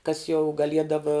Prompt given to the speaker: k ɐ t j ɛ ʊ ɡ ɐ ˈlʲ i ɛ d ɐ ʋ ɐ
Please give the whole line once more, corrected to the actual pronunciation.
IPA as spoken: k ɐ s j ɛ ʊ ɡ ɐ ˈlʲ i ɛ d ɐ ʋ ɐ